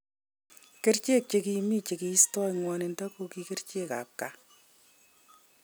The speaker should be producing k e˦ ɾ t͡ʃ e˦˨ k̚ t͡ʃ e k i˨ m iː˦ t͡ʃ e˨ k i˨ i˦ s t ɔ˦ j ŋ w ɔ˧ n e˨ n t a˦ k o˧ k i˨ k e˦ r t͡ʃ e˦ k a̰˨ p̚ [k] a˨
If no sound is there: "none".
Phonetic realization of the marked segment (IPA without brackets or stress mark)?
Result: k